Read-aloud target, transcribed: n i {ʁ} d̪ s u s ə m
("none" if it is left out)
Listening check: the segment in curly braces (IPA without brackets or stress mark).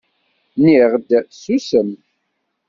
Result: ʁ